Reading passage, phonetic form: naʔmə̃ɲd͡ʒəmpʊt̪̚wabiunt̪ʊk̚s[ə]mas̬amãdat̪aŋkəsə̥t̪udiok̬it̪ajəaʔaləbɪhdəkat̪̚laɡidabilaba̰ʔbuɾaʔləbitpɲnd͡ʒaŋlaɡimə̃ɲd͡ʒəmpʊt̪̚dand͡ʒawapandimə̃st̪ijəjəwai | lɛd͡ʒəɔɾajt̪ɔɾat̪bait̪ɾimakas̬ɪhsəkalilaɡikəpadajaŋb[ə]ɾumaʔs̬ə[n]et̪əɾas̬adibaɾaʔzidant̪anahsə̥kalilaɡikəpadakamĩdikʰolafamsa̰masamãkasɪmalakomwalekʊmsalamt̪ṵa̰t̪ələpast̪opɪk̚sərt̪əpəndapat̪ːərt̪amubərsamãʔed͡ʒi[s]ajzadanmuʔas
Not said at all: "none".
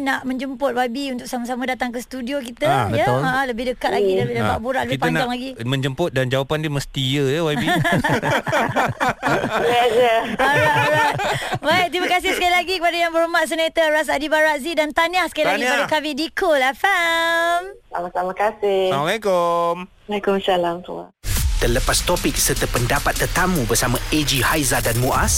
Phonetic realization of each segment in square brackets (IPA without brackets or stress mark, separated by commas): a, ə, n, h